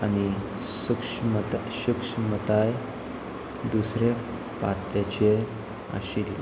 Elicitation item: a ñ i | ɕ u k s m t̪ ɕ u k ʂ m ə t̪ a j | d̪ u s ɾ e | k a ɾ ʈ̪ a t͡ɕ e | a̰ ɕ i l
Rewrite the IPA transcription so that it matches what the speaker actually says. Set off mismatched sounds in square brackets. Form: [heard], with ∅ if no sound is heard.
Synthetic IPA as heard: a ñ i | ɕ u k [ʂ] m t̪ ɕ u k ʂ m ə t̪ a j | d̪ u s ɾ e | [p] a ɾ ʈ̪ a t͡ɕ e | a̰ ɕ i l